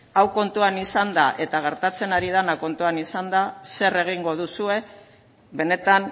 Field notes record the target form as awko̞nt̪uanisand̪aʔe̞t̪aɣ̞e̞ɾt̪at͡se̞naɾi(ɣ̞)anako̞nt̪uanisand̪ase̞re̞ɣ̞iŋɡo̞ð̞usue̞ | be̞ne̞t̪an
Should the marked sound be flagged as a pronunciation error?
yes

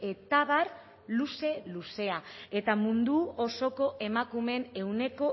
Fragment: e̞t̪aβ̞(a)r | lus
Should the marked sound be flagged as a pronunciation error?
no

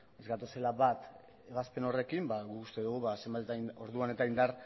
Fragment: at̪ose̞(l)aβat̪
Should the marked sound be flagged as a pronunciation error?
no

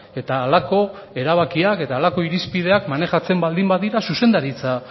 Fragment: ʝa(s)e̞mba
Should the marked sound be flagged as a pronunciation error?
yes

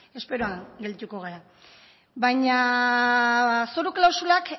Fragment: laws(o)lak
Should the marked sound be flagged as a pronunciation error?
yes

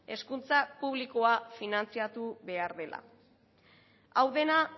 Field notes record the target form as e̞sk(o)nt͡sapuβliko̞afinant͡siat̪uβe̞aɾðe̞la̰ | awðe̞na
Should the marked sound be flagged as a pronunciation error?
yes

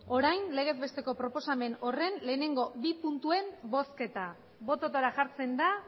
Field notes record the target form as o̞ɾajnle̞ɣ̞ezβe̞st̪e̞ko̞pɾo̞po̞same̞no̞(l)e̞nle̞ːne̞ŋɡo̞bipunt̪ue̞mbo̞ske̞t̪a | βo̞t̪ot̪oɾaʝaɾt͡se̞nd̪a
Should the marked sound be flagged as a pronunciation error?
yes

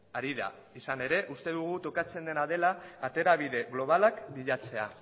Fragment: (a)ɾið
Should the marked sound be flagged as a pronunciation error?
no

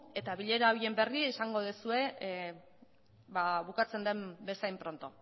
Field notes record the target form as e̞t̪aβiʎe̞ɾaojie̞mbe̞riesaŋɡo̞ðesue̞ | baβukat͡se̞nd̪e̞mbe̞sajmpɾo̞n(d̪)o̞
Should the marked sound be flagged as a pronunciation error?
yes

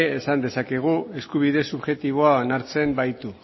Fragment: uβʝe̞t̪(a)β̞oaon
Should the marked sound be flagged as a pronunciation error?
yes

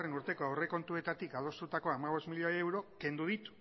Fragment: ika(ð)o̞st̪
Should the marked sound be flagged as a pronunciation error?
no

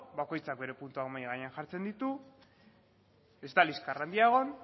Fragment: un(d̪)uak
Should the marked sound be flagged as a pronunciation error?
yes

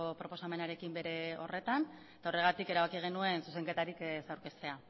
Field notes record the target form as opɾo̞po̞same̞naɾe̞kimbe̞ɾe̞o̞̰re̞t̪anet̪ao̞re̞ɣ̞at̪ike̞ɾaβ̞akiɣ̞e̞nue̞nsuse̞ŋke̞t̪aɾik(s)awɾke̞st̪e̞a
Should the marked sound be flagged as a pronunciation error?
no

